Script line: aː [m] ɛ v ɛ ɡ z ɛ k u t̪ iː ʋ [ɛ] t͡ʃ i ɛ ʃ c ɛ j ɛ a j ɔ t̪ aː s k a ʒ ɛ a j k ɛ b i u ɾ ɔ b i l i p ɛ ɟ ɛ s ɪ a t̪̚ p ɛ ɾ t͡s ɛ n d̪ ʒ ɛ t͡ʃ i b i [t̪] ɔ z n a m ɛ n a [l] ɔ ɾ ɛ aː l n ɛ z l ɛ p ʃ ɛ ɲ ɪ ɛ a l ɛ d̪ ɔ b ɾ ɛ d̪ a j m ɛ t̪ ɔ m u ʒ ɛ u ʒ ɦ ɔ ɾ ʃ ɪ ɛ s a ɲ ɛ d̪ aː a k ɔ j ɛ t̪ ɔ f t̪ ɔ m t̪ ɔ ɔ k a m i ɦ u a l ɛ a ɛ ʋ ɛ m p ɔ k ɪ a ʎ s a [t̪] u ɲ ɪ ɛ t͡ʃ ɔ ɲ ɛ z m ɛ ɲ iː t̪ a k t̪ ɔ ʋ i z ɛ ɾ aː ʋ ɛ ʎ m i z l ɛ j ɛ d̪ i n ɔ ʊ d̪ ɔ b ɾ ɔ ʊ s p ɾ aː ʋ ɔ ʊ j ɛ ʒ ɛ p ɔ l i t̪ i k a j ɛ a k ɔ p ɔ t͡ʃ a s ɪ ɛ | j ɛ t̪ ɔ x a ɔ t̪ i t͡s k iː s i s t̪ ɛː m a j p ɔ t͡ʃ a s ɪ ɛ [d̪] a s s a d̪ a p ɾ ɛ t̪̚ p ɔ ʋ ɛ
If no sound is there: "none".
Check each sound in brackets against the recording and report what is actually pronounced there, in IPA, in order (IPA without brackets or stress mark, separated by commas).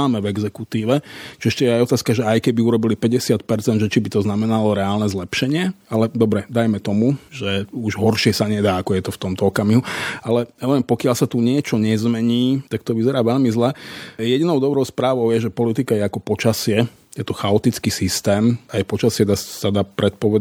m, ɛ, t̪, l, t̪, d̪